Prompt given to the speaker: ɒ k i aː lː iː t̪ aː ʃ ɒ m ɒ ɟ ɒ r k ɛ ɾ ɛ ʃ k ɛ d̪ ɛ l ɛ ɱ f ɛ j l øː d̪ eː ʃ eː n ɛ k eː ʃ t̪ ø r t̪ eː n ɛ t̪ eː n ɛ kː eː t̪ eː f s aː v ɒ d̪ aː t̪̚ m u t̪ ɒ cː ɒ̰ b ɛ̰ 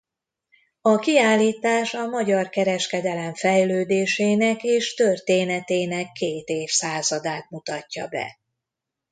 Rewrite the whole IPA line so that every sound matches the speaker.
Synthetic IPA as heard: ɒ k i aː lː iː t̪ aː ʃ ɒ m ɒ ɟ ɒ r k ɛ ɾ ɛ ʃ k ɛ d̪ ɛ l ɛ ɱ f ɛ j l øː d̪ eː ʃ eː n ɛ k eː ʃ t̪ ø r t̪ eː n ɛ t̪ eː n ɛ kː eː t̪ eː f s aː z ɒ d̪ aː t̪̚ m u t̪ ɒ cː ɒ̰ b ɛ̰